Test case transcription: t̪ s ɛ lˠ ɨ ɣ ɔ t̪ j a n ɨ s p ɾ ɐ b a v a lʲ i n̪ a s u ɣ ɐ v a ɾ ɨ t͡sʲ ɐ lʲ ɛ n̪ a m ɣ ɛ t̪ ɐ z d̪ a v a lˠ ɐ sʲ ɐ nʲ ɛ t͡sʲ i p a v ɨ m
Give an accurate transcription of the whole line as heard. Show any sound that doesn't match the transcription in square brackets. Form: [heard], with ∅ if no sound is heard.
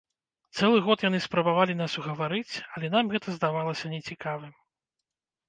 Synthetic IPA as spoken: t̪ s ɛ lˠ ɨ ɣ ɔ t̪ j a n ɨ s p ɾ ɐ b a v a lʲ i n̪ a s u ɣ ɐ v a ɾ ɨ t͡sʲ ɐ lʲ ɛ n̪ a m ɣ ɛ t̪ ɐ z d̪ a v a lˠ ɐ sʲ ɐ nʲ ɛ t͡sʲ i [k] a v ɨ m

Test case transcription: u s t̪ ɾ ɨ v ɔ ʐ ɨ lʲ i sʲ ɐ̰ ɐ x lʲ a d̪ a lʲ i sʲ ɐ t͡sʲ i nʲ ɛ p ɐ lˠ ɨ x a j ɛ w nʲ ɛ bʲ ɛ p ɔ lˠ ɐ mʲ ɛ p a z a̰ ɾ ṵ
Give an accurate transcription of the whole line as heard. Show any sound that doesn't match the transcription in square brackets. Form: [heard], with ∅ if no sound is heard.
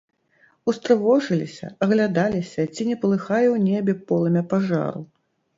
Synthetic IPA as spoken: u s t̪ ɾ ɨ v ɔ ʐ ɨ lʲ i sʲ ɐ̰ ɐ [ɣ] lʲ a d̪ a lʲ i sʲ ɐ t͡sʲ i nʲ ɛ p ɐ lˠ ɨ x a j ɛ w nʲ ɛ bʲ ɛ p ɔ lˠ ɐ mʲ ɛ p a [ʐ] a̰ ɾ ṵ

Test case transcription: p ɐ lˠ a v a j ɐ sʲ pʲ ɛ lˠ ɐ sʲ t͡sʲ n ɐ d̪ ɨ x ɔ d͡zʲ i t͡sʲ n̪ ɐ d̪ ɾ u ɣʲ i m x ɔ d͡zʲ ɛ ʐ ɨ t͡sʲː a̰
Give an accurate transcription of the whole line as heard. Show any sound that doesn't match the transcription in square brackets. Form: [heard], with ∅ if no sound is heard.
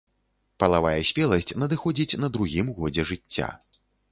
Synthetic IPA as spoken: p ɐ lˠ a v a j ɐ sʲ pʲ ɛ lˠ ɐ sʲ t͡sʲ n ɐ d̪ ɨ x ɔ d͡zʲ i t͡sʲ n̪ ɐ d̪ ɾ u ɣʲ i m [ɣ] ɔ d͡zʲ ɛ ʐ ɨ t͡sʲː a̰

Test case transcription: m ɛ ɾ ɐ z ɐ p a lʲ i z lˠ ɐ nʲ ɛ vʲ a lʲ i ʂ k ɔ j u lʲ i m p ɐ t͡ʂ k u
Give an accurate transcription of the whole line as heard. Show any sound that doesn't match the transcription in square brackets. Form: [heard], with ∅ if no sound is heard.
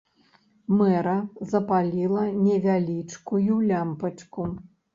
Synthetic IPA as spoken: m ɛ ɾ ɐ z ɐ p a lʲ i [∅] lˠ ɐ nʲ ɛ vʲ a lʲ i [t͡ʂ] k [u] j u lʲ [a] m p ɐ t͡ʂ k u

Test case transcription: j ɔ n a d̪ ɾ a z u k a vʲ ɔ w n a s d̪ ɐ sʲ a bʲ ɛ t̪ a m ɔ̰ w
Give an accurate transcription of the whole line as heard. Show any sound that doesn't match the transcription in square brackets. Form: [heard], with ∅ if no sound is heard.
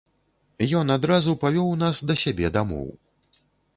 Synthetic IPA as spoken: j ɔ n a d̪ ɾ a z u [p] a vʲ ɔ w n a s d̪ ɐ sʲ a bʲ ɛ [d̪] a m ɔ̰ w

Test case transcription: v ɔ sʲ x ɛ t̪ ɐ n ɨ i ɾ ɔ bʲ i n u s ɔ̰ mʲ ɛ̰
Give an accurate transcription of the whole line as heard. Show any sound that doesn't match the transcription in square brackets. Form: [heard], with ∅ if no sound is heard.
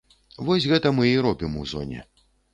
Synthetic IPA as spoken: v ɔ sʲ [ɣ] ɛ t̪ ɐ [m] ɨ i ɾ ɔ bʲ i [m] u [z] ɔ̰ [nʲ] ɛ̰

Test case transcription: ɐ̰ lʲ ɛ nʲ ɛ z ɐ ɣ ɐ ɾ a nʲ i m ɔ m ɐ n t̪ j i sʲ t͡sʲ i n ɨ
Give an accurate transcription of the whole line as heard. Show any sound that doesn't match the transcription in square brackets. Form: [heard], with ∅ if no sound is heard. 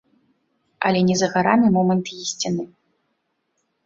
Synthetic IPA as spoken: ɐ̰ lʲ ɛ nʲ ɛ z ɐ ɣ [a] ɾ a [mʲ] i m ɔ m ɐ n t̪ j i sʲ t͡sʲ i n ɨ

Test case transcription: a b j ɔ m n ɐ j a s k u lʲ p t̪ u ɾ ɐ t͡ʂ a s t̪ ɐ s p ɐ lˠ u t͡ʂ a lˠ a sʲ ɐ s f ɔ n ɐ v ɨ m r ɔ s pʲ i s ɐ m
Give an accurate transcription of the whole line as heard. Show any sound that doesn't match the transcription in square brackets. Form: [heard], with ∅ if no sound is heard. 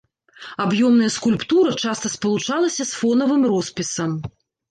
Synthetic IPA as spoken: a b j ɔ m n ɐ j [ɐ] s k u lʲ p t̪ u ɾ ɐ t͡ʂ a s t̪ ɐ s p ɐ lˠ u t͡ʂ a lˠ [ɐ] sʲ ɐ s f ɔ n ɐ v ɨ m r ɔ s pʲ i s ɐ m

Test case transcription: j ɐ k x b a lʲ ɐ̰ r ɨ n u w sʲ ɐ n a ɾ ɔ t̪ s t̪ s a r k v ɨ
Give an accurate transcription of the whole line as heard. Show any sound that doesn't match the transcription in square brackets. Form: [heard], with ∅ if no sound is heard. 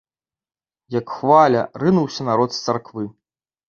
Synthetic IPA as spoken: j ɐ k x [v] a lʲ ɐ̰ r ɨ n u w sʲ ɐ n a ɾ ɔ t̪ s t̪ s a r k v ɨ

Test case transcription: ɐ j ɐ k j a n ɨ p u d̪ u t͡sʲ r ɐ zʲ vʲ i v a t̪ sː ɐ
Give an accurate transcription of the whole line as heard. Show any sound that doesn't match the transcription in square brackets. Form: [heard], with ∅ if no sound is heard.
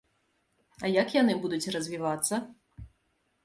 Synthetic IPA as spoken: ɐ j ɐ k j a n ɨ [b] u d̪ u t͡sʲ r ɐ zʲ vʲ i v a t̪ sː ɐ

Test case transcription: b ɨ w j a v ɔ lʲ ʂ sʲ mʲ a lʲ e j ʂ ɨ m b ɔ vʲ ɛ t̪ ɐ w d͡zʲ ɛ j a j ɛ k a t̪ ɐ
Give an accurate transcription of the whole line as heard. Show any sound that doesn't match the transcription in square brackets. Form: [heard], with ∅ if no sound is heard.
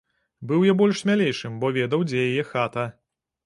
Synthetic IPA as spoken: b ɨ w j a [b] ɔ lʲ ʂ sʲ mʲ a lʲ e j ʂ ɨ m b ɔ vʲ ɛ [d̪] ɐ w d͡zʲ ɛ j a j ɛ [x] a t̪ ɐ

